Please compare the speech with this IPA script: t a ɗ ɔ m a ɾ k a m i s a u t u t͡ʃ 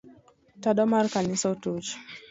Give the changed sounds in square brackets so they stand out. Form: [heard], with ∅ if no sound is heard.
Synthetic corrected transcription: t a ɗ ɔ m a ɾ k a [n] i s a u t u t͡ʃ